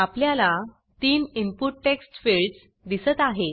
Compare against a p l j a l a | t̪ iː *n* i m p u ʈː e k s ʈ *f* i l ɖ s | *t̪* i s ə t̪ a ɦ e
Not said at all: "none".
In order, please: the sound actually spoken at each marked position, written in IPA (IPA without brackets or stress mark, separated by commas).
n, f, d̪